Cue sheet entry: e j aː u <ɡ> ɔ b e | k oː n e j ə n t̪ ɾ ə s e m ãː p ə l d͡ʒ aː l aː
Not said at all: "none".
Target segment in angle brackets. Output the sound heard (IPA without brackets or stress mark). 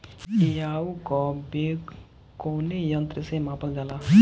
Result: k